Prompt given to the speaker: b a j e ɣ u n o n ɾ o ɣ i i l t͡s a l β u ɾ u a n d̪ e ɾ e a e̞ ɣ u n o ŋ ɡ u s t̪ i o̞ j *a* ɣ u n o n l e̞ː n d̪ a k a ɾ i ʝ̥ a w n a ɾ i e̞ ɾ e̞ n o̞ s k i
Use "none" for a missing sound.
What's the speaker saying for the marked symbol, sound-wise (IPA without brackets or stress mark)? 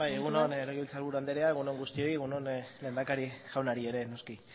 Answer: e